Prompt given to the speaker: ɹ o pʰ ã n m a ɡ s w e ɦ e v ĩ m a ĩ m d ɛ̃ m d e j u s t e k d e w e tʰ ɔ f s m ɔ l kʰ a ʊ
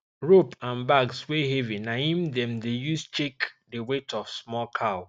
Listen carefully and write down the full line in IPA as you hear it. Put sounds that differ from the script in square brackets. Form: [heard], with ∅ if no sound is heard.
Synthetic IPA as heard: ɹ o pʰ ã n [b] a ɡ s w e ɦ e v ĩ [n] a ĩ m d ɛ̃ m d e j u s [t͡ʃ] e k d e w e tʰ ɔ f s m ɔ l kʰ a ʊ